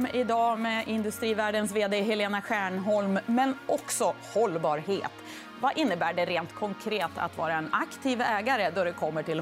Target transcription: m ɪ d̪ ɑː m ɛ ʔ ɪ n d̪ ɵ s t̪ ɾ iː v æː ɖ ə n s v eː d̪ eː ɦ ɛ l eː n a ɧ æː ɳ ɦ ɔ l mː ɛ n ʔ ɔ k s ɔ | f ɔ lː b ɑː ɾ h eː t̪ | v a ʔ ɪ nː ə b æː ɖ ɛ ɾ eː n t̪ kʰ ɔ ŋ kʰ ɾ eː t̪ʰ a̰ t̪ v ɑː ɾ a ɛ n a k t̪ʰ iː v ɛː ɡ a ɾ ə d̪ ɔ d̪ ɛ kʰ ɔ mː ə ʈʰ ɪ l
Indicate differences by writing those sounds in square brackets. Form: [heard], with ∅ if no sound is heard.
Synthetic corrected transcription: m ɪ d̪ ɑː m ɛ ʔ ɪ n d̪ ɵ s t̪ ɾ iː v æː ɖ ə n s v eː d̪ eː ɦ ɛ l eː n a ɧ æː ɳ ɦ ɔ l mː ɛ n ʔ ɔ k s ɔ | [h] ɔ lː b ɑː ɾ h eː t̪ | v a ʔ ɪ nː ə b æː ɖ ɛ ɾ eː n t̪ kʰ ɔ ŋ kʰ ɾ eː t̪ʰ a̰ t̪ v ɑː ɾ a ɛ n a k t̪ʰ iː v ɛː ɡ a ɾ ə d̪ ɔ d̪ ɛ kʰ ɔ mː ə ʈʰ ɪ l